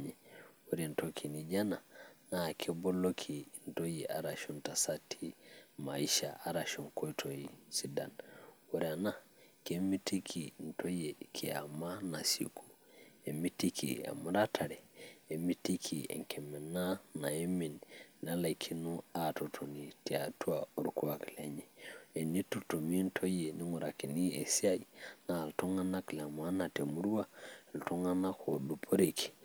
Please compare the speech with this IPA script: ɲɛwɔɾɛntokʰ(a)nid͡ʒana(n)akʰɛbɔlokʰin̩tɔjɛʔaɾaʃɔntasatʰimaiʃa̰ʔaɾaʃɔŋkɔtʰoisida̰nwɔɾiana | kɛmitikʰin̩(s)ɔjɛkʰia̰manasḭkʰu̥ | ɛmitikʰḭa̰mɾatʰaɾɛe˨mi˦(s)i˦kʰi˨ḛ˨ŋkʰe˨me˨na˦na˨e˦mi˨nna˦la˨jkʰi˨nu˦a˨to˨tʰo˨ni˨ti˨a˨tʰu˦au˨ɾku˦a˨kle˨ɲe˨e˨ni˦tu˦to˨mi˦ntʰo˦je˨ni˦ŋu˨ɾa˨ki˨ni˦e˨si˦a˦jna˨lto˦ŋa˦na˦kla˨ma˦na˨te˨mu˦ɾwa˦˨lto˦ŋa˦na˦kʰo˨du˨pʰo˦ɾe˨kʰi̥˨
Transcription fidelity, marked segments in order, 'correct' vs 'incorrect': incorrect, correct, incorrect, incorrect

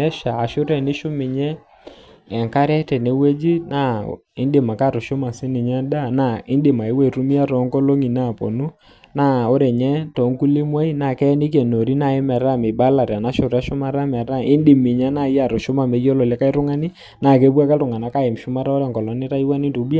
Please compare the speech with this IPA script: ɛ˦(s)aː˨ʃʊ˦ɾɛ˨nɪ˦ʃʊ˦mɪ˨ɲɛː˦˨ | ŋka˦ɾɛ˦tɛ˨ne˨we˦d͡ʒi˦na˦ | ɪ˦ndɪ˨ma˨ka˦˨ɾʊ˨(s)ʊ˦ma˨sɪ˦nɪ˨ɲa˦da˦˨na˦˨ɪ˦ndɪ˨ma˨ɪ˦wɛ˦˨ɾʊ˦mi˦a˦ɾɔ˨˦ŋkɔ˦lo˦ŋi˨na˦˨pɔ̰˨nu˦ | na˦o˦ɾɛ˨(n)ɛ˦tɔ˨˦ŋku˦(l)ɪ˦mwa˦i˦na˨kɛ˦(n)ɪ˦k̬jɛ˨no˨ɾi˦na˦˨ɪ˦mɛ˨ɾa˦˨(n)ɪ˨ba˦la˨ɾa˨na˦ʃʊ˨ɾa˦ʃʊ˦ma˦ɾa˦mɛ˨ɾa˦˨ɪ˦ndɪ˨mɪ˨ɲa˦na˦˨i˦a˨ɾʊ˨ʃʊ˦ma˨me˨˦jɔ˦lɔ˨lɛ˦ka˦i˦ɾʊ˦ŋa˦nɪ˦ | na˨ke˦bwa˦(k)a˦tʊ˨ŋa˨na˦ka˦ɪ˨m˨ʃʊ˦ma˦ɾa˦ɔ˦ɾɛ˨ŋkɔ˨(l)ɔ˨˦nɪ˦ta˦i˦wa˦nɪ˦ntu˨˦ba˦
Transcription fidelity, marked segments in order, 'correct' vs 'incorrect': incorrect, incorrect, incorrect, correct, correct, incorrect, correct, correct

